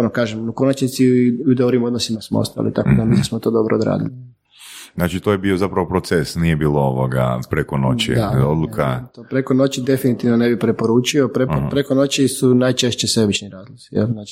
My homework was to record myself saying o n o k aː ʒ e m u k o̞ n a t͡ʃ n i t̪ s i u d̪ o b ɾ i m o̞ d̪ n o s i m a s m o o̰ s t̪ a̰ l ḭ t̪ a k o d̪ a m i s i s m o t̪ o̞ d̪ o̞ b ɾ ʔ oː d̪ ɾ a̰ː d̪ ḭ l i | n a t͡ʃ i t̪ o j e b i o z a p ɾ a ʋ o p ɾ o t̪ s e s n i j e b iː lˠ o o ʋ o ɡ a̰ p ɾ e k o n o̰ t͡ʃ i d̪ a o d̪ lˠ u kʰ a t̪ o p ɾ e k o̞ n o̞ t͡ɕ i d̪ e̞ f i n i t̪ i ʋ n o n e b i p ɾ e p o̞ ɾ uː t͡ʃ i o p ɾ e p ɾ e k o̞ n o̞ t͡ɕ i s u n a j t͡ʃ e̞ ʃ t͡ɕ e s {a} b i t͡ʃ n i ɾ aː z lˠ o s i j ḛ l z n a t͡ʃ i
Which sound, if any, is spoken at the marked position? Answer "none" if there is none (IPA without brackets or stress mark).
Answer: e